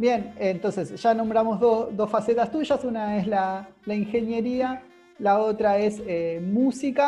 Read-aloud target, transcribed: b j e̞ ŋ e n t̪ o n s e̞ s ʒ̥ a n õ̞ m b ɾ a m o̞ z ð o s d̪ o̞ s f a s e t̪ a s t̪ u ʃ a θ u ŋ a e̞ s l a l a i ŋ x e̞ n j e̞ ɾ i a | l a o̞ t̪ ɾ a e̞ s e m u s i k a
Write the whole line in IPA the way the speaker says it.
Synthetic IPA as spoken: b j e̞ n e n t̪ o n s e̞ s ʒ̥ a n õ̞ m b ɾ a m o̞ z ð o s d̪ o̞ s f a s e t̪ a s t̪ u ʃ a s u n a e̞ s l a l a i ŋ x e̞ n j e̞ ɾ i a | l a o̞ t̪ ɾ a e̞ s e m u s i k a